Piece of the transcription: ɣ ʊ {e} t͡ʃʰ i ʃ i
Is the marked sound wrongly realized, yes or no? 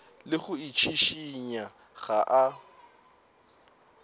yes